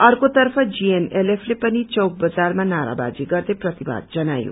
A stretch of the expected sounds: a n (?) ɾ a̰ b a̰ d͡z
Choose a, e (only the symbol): a